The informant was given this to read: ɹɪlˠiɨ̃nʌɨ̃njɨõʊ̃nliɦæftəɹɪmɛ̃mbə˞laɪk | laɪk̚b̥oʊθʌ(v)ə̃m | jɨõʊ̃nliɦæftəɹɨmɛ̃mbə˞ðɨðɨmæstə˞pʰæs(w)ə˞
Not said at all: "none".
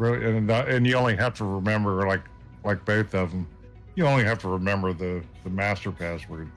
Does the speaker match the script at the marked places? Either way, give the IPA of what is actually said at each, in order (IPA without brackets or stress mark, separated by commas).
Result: v, w